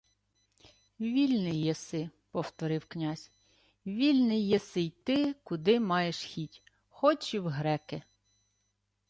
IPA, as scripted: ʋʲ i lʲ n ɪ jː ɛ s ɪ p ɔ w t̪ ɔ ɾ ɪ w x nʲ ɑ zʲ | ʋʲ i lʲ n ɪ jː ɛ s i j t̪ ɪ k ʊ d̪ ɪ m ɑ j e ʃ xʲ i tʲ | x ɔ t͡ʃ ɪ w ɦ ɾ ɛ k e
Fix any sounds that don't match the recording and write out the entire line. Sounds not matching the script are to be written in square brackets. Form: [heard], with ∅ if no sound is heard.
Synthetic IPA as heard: ʋʲ i lʲ n ɪ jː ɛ s ɪ p ɔ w t̪ ɔ ɾ ɪ w [k] nʲ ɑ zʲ | ʋʲ i lʲ n ɪ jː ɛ s [ɪ] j t̪ ɪ k ʊ d̪ ɪ m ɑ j e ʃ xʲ i tʲ | x ɔ t͡ʃ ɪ w ɦ ɾ ɛ k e